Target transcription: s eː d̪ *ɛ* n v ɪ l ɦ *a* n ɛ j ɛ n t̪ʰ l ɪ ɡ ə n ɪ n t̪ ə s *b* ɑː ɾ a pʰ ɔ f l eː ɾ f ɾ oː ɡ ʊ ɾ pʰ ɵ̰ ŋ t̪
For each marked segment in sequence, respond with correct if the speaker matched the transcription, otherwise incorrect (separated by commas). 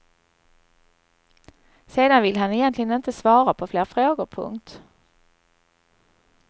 incorrect, correct, incorrect